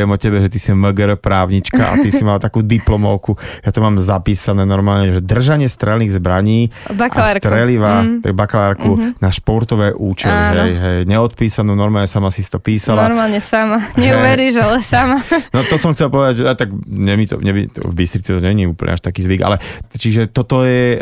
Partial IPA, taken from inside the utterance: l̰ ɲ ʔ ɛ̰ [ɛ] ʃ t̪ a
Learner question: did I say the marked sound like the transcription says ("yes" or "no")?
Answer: no